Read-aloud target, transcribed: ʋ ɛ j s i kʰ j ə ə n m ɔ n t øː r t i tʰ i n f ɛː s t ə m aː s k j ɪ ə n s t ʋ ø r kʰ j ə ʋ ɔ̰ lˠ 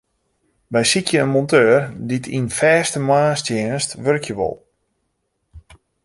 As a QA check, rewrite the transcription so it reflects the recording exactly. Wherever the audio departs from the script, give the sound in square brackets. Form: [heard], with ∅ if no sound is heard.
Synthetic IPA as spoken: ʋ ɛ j s i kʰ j ə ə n m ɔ n t øː r [d] i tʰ i n f ɛː s t ə m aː s [t] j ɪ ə n s t ʋ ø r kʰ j ə ʋ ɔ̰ lˠ